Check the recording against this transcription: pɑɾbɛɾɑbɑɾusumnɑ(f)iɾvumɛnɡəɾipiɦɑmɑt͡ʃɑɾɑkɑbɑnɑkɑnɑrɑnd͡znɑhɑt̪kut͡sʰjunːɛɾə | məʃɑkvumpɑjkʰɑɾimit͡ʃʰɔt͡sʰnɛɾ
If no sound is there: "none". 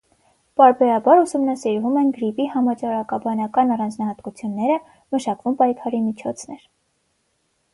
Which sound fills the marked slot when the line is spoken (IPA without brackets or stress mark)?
s